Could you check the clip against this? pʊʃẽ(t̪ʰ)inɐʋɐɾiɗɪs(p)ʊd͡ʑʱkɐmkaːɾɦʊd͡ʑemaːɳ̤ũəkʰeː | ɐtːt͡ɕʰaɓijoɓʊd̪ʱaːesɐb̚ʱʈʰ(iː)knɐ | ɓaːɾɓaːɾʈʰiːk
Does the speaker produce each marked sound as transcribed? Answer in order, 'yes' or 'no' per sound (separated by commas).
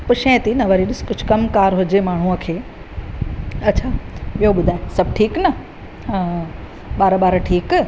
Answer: no, no, yes